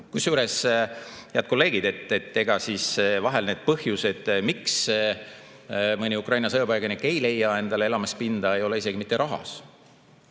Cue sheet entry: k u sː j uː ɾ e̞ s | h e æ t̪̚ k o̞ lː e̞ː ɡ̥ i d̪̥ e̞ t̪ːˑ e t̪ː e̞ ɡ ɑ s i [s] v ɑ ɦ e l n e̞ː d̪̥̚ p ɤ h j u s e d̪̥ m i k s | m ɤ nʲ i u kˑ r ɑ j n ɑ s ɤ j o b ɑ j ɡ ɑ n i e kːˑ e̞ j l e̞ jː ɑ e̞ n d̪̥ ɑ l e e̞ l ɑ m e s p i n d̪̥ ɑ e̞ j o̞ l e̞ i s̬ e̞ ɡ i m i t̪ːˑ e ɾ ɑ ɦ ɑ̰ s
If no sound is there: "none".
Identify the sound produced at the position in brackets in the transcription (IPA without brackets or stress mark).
s